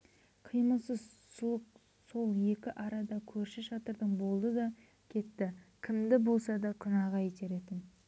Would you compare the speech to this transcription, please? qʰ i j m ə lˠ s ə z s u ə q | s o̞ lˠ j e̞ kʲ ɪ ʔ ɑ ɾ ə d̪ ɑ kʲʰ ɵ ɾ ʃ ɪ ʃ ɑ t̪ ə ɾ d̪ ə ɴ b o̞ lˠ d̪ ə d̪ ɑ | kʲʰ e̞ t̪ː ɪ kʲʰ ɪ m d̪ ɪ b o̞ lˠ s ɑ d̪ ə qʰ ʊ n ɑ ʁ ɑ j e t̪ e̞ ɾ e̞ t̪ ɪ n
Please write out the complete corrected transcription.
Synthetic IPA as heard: qʰ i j m ə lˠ s ə z s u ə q | s o̞ lˠ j e̞ kʲ ɪ ʔ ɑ ɾ ɑ d̪ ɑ kʲʰ ɵ ɾ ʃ ɪ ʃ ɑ t̪ ə ɾ d̪ ə ɴ b o̞ lˠ d̪ ə d̪ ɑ | kʲʰ e̞ t̪ː ɪ kʲʰ ɪ m d̪ ɪ b o̞ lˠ s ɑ d̪ ɑ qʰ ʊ n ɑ ʁ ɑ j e t̪ e̞ ɾ e̞ t̪ ɪ n

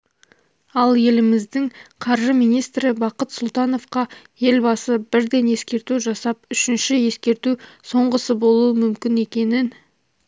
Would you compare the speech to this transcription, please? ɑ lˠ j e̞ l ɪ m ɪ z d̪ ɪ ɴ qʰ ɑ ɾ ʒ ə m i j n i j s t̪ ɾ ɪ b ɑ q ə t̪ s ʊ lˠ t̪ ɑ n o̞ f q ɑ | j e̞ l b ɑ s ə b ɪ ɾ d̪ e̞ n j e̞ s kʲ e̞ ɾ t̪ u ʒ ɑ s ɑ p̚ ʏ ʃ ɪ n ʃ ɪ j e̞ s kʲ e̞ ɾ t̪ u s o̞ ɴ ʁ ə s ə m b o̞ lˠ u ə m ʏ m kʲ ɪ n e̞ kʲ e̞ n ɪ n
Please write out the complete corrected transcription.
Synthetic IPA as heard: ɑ lˠ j e̞ l ɪ m ɪ z d̪ ɪ ŋ qʰ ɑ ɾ ʒ ə m i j n i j s t̪ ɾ ɪ b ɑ q ə t̪ s ʊ lˠ t̪ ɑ n o̞ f q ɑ | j e̞ l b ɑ s ə b ɪ ɾ d̪ e̞ n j e̞ s kʲ e̞ ɾ t̪ u ʒ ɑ s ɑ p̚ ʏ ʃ ɪ n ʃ ɪ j e̞ s kʲ e̞ ɾ t̪ u s o̞ ɴ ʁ ə s ə b o̞ lˠ u ə m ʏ m kʲ ɪ n e̞ kʲ e̞ n ɪ n

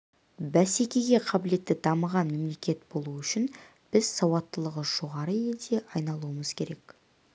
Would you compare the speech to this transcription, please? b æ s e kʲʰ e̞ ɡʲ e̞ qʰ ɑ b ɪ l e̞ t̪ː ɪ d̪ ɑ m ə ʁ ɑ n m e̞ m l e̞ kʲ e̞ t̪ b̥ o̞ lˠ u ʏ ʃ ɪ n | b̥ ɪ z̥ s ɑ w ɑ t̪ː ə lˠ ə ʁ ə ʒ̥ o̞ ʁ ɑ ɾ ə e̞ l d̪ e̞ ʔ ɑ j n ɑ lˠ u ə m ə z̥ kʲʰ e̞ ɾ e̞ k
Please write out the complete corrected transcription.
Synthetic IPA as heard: b æ s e kʲ e̞ ɡʲ e̞ qʰ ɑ b ɪ l e̞ t̪ː ɪ d̪ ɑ m ə ʁ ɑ n m e̞ m l e̞ kʲ e̞ t̪ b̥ o̞ lˠ u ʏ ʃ ɪ n | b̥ ɪ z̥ s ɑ w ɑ t̪ː ə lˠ ə ʁ ə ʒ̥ o̞ ʁ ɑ ɾ ə e̞ l d̪ e̞ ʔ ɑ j n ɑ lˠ u ə m ə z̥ kʲʰ e̞ ɾ e̞ k

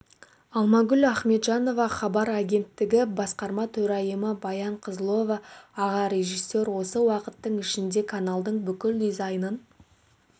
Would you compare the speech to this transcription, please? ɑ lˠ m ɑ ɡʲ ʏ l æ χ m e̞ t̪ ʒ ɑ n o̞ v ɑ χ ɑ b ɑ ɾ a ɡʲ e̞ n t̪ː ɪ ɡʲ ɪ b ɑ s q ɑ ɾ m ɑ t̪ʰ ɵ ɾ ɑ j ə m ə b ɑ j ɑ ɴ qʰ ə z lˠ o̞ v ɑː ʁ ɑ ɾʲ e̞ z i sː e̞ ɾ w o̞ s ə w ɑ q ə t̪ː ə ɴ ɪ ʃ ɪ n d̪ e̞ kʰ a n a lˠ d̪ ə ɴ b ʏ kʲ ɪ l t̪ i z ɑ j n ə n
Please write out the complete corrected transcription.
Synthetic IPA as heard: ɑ lˠ m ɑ ɡʲ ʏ l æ χ m e̞ t̪ ʒ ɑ n o̞ v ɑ χ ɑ b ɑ ɾ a ɡʲ e̞ n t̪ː ɪ ɡʲ ɪ b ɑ s q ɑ ɾ m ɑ t̪ʰ ɵ ɾ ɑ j ə m ə b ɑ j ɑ ɴ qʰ ə z lˠ o̞ v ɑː ʁ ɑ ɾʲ e̞ ʒ i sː e̞ ɾ w o̞ s ə w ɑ q ə t̪ː ə ɴ ɪ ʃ ɪ n d̪ e̞ kʰ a n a lˠ d̪ ə ɴ b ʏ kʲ ɪ l d̪ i z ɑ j n ə n

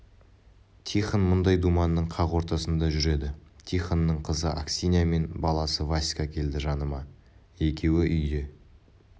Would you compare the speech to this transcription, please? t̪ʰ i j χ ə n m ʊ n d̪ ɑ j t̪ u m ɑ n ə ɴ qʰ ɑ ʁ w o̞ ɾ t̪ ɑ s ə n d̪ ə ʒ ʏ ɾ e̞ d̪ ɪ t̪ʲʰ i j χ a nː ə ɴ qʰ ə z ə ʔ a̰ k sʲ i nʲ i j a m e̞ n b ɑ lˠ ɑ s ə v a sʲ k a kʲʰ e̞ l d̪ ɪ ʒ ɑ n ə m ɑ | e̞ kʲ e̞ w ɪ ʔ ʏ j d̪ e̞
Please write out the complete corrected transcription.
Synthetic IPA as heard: t̪ʰ i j χ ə n m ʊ n d̪ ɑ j d̪ u m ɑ nː ə ɴ qʰ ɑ ʁ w o̞ ɾ t̪ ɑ s ə n d̪ ɑ ʒ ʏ ɾ e̞ d̪ ɪ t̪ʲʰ i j χ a nː ə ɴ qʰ ə z ə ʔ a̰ k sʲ i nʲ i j a m e̞ n b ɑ lˠ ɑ s ə v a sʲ k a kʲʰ e̞ l d̪ ɪ ʒ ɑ n ə m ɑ | e̞ kʲ e̞ w ɪ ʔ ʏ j d̪ e̞

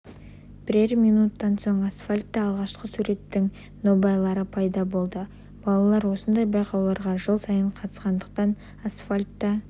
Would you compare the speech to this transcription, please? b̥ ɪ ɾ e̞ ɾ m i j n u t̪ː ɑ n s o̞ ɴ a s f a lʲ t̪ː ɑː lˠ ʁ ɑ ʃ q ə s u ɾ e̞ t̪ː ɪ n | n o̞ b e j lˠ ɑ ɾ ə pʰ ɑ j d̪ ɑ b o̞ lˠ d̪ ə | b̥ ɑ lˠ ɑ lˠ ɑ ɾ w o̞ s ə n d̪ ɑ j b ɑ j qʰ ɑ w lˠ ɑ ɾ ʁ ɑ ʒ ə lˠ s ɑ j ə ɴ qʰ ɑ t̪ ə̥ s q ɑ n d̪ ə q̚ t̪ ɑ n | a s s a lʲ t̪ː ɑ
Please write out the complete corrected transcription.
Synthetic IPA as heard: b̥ ɪ ɾ e̞ ɾ m i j n u t̪ː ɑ n s o̞ ɴ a s f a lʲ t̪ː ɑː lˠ ʁ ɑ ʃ q ə s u ɾ e̞ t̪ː ɪ ŋ | n o̞ b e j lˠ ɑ ɾ ə pʰ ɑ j d̪ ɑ b o̞ lˠ d̪ ə | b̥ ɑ lˠ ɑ lˠ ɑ ɾ w o̞ s ə n d̪ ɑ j b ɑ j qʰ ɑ w lˠ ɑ ɾ ʁ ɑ ʒ ə lˠ s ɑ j ə ɴ qʰ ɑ t̪ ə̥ s q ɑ n d̪ ə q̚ t̪ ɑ n | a s f a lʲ t̪ː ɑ

